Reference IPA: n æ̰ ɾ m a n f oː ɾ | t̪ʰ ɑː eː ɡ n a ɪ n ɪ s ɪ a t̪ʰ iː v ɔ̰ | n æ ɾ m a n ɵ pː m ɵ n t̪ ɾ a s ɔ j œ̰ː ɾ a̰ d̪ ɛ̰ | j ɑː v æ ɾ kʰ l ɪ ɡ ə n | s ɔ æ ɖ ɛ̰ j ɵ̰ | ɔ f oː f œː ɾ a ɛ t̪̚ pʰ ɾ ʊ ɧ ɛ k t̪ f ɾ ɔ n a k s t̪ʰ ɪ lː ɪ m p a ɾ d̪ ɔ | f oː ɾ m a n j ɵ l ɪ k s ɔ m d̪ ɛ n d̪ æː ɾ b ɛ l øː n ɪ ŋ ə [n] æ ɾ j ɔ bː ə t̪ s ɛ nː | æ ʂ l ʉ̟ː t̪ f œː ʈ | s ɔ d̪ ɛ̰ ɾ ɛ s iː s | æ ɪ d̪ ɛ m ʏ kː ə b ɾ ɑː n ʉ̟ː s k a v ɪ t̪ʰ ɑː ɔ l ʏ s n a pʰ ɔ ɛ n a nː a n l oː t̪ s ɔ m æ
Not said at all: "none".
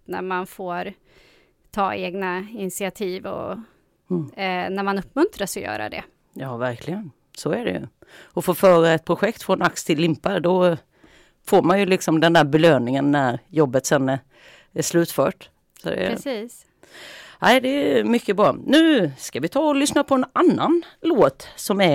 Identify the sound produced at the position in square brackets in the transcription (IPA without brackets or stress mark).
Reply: nː